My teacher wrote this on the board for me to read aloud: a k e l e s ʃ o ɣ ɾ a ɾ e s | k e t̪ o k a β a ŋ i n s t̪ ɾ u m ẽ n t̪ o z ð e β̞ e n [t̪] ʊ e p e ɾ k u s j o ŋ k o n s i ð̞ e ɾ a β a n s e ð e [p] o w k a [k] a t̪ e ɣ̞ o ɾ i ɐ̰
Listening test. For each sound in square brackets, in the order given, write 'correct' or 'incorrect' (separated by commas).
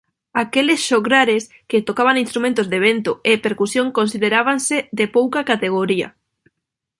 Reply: correct, correct, correct